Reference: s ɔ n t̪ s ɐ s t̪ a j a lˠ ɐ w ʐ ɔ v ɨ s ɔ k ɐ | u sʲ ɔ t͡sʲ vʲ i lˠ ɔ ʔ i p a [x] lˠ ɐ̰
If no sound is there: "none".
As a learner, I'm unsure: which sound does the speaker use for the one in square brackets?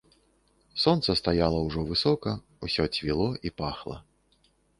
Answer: x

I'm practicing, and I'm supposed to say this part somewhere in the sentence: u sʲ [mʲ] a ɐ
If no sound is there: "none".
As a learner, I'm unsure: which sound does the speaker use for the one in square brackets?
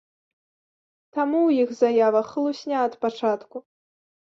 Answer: nʲ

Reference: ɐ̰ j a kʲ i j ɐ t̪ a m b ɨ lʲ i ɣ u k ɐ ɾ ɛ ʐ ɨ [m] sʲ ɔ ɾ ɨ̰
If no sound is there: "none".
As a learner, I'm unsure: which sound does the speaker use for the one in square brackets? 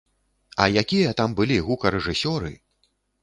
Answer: none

